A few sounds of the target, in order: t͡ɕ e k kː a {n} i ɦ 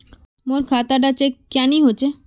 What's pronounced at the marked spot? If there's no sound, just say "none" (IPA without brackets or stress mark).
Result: n